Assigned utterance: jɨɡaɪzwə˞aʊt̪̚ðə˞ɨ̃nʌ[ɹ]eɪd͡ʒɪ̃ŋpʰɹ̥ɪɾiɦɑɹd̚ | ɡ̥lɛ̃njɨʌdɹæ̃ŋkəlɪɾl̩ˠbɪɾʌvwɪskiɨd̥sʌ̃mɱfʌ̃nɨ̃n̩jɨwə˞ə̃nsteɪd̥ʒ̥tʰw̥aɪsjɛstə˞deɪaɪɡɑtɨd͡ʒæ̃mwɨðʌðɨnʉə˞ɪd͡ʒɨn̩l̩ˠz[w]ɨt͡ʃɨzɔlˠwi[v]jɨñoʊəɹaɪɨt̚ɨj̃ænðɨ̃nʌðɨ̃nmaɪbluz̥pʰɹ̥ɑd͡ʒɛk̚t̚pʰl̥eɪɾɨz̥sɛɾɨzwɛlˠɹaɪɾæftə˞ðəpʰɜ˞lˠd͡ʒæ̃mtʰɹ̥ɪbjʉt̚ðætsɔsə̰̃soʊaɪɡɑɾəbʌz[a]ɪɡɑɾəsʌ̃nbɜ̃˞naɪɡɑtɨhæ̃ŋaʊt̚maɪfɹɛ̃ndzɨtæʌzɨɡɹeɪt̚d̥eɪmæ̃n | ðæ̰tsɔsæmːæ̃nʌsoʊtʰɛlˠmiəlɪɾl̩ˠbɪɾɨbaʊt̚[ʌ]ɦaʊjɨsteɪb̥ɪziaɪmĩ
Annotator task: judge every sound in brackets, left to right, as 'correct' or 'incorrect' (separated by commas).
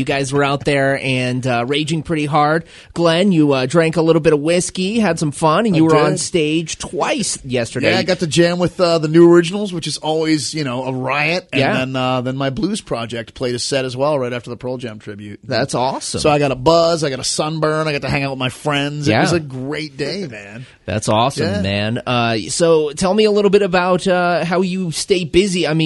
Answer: correct, correct, incorrect, correct, correct